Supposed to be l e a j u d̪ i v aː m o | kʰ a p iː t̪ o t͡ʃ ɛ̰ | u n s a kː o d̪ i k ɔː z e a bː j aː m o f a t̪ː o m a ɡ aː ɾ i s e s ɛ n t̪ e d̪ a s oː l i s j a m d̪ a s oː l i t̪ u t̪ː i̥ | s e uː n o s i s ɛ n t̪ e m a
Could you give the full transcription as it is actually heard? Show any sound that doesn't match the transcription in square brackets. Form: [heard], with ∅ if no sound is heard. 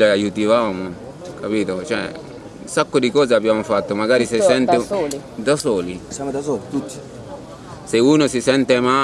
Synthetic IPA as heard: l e a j u [t̪] i v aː m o | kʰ a p iː t̪ o t͡ʃ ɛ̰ | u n s a kː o d̪ i k ɔː z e a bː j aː m o f a t̪ː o m a ɡ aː ɾ i s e s ɛ n t̪ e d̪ a s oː l i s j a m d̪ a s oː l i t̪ u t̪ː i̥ | s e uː n o s i s ɛ n t̪ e m a